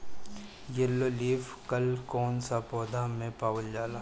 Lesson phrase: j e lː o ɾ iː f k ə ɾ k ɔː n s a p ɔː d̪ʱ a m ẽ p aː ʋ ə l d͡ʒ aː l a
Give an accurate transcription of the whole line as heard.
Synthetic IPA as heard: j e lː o l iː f k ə l k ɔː n s a p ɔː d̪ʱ a m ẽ p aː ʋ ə l d͡ʒ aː l a